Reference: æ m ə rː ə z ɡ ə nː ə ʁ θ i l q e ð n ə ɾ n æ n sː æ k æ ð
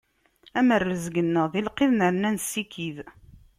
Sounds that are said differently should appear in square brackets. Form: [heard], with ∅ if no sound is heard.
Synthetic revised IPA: æ m ə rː ə z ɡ ə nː ə ʁ [ð] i l q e ð n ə ɾ n æ n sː [i] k [i] ð